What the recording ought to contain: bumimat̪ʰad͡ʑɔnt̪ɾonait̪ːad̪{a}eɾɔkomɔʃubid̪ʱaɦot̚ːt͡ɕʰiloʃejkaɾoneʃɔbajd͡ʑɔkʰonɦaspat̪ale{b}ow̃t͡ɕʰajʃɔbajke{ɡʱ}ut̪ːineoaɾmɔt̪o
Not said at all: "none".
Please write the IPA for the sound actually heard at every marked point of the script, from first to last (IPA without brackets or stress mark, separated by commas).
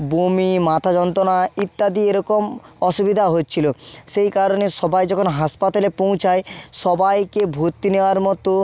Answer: i, p, bʱ